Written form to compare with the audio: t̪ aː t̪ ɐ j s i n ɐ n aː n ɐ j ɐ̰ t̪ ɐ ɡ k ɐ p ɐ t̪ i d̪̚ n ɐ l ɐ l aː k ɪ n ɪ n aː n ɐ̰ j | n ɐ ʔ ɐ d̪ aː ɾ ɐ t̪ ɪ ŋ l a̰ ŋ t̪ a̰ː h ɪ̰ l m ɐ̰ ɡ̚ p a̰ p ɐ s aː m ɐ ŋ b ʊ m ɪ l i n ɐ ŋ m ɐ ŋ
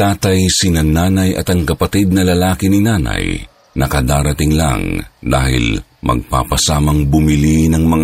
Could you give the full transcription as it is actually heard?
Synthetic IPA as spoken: t̪ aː t̪ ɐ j s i n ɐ n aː n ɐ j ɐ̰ t̪ ɐ ŋ k ɐ p ɐ t̪ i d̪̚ n ɐ l ɐ l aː k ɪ n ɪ n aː n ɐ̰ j | n ɐ k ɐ d̪ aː ɾ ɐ t̪ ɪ ŋ l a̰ ŋ d̪ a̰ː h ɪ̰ l m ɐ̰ ɡ̚ p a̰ p ɐ s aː m ɐ ŋ b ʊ m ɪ l i n ɐ ŋ m ɐ ŋ